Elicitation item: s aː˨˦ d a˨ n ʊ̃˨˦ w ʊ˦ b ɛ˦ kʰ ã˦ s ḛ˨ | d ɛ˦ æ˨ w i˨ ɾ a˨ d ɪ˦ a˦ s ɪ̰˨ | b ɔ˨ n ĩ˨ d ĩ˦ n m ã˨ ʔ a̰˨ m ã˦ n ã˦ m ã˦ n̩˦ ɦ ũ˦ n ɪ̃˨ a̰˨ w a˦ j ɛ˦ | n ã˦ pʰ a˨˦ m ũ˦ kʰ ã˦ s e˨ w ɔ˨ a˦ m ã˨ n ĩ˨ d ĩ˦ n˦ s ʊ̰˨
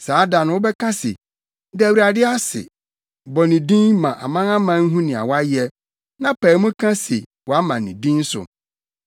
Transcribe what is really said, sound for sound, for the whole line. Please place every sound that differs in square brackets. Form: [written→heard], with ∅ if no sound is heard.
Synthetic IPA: s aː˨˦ d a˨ n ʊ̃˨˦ w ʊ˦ b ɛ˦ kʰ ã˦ s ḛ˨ | d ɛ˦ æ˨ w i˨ ɾ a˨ d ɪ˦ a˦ s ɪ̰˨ | b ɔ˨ n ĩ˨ d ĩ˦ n m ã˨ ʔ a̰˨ m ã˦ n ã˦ m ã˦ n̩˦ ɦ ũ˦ n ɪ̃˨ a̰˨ w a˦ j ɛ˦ | n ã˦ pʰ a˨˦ m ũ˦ kʰ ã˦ s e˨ w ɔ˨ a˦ m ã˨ n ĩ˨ d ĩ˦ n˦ s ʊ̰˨